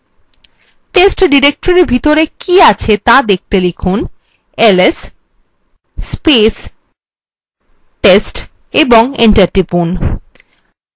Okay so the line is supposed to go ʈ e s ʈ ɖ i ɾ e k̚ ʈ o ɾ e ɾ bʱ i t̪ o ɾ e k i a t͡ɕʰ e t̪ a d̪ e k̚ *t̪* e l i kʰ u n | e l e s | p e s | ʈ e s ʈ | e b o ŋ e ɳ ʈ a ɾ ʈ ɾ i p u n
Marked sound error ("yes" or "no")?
no